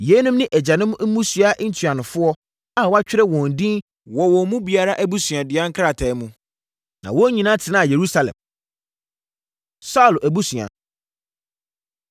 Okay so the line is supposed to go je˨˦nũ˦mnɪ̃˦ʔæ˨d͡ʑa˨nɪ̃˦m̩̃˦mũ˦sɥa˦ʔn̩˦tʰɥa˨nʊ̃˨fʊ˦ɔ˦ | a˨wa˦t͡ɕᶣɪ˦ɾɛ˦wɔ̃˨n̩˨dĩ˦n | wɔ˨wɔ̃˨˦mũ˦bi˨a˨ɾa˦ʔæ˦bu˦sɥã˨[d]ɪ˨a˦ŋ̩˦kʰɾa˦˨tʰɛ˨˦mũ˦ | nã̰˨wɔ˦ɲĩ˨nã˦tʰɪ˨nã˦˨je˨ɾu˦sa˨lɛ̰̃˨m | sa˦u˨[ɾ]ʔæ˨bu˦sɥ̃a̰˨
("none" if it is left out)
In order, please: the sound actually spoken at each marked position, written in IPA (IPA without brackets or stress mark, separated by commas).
d, l